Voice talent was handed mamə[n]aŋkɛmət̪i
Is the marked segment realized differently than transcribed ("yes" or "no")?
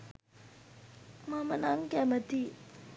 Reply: no